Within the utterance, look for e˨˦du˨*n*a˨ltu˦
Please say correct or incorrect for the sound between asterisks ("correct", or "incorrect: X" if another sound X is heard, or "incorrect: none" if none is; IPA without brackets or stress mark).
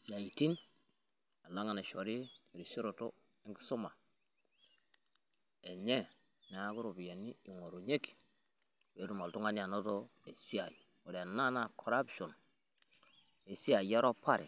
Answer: incorrect: m